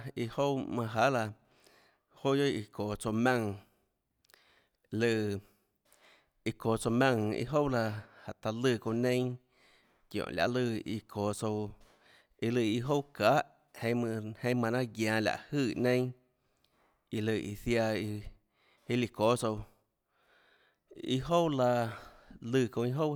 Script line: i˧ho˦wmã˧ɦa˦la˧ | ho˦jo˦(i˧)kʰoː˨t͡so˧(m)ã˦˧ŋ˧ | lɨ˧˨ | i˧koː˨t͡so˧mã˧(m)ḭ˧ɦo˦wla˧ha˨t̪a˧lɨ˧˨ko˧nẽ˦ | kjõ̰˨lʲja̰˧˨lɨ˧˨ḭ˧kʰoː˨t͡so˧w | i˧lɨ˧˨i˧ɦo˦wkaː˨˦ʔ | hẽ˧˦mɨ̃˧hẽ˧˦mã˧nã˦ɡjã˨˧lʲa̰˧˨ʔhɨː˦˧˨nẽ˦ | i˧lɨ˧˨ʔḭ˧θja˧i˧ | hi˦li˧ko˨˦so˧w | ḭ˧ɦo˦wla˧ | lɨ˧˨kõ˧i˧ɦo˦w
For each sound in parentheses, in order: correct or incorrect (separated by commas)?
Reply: correct, correct, incorrect